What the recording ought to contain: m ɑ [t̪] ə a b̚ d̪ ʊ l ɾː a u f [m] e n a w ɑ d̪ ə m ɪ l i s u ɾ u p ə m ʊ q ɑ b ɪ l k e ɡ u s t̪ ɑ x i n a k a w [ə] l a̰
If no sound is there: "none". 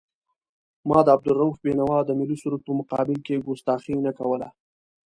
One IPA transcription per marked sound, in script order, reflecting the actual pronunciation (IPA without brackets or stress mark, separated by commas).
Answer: d̪, b, ə